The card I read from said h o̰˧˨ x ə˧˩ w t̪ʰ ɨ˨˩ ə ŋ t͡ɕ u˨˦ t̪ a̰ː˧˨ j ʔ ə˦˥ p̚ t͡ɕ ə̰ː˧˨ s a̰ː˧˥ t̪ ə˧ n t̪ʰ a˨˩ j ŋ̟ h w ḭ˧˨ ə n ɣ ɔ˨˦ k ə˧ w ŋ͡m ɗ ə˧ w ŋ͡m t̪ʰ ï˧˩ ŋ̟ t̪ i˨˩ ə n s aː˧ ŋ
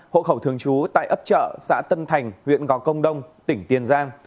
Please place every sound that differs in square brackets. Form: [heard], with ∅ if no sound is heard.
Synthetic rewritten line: h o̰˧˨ x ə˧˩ w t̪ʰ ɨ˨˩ ə ŋ t͡ɕ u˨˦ t̪ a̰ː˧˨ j ʔ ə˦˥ p̚ t͡ɕ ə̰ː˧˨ s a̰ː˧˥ t̪ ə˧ n t̪ʰ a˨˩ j ŋ̟ h w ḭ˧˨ ə n ɣ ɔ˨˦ k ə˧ w ŋ͡m ɗ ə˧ w ŋ͡m [t̪] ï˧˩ ŋ̟ t̪ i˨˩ ə n [z] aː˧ ŋ